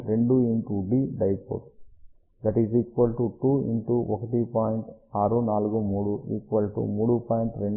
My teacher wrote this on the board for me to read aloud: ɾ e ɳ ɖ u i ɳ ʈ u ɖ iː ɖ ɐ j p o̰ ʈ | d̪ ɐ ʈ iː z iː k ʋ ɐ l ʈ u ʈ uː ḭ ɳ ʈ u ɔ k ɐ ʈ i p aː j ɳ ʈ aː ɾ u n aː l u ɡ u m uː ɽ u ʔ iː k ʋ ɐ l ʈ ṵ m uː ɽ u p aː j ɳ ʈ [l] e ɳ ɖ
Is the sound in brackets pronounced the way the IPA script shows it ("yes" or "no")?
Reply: no